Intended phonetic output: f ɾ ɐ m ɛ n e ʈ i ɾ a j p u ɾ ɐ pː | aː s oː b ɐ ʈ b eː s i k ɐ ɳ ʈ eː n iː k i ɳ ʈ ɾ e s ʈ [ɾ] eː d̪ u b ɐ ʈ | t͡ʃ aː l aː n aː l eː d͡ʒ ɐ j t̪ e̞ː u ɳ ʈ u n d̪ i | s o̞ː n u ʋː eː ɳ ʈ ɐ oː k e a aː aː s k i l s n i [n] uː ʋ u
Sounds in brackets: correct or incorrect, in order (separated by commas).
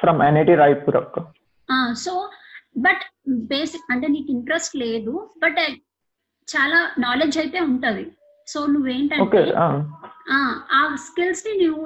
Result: incorrect, correct